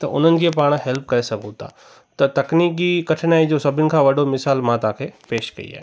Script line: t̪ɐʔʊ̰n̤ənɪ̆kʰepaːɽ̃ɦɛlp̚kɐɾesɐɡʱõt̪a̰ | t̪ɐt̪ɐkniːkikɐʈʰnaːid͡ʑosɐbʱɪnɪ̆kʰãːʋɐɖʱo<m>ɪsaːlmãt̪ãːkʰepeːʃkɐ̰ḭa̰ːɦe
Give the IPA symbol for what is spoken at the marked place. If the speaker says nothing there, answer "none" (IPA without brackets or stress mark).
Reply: m